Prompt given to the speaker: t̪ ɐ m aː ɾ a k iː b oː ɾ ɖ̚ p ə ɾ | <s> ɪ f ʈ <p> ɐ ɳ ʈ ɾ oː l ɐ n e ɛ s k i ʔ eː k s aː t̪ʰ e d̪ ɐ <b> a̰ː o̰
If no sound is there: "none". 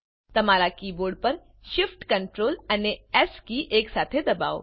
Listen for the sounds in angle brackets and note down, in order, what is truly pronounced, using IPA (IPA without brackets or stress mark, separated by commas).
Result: ʃ, k, b